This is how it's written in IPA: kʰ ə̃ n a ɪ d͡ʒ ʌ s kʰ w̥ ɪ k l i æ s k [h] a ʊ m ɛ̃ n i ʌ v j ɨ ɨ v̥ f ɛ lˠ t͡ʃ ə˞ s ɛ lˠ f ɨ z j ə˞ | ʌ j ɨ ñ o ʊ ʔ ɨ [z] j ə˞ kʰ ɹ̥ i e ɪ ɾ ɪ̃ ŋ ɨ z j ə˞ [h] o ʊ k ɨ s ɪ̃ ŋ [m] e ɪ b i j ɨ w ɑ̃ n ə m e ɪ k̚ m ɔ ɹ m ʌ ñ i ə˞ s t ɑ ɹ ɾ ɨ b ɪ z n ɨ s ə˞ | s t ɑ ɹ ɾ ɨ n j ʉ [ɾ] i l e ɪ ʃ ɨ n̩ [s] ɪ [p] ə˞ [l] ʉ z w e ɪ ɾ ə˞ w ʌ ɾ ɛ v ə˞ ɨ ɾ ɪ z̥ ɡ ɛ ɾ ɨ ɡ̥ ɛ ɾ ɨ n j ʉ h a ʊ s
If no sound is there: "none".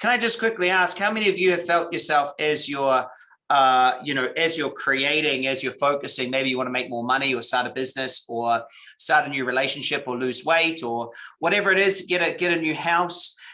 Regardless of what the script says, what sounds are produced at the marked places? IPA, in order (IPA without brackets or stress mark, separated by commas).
h, z, f, m, ɹ, ʃ, p, l